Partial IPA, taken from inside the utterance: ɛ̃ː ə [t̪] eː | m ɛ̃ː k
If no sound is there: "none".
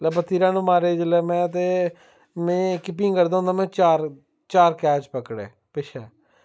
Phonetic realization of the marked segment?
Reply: t̪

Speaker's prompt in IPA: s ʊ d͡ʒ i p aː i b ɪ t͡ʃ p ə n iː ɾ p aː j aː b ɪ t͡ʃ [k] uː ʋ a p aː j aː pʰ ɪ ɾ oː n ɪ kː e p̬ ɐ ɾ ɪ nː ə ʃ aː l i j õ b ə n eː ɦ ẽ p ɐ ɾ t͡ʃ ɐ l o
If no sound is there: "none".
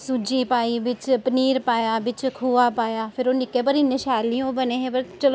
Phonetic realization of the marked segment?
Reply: kʰ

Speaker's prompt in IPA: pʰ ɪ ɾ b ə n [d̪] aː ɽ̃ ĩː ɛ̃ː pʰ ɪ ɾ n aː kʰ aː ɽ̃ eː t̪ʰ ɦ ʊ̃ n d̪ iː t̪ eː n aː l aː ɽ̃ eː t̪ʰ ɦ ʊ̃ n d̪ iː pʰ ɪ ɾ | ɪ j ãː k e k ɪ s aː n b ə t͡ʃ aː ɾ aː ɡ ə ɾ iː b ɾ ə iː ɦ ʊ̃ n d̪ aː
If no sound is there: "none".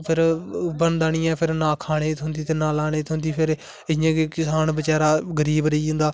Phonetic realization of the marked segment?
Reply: d̪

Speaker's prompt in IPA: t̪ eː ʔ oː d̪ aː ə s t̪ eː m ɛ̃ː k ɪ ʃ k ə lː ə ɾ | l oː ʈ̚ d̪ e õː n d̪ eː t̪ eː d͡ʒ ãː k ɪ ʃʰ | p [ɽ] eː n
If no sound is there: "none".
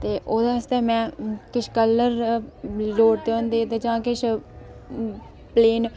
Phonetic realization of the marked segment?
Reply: l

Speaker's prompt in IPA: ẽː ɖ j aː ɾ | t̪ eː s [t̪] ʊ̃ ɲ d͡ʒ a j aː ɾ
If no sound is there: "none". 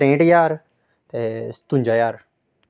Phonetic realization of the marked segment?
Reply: t̪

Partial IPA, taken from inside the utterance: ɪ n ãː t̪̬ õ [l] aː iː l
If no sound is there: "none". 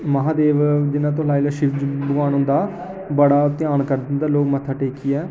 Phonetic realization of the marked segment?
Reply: l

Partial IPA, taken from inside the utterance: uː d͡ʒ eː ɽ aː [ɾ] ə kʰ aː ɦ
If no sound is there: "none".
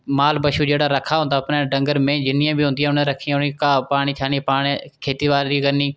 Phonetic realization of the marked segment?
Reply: ɾ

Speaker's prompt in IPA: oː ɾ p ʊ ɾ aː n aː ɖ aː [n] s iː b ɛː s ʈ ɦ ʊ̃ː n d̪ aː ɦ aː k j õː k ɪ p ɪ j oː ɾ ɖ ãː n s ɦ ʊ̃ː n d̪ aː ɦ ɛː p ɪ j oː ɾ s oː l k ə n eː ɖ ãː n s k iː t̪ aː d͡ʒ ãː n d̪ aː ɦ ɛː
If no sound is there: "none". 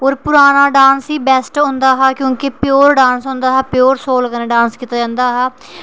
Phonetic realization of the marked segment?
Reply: n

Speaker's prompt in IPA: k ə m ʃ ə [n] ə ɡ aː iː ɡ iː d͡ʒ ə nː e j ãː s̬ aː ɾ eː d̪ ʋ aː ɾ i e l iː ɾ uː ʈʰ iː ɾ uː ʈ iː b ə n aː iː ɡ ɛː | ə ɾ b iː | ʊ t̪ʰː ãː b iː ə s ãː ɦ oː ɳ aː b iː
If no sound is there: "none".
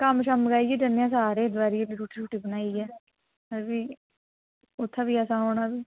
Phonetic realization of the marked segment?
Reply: m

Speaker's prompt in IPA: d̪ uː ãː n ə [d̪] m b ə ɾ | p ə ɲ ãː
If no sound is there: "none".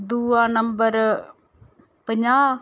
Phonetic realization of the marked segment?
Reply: none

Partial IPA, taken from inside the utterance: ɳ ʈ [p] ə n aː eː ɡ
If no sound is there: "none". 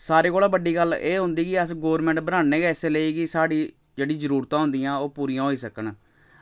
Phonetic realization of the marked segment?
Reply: b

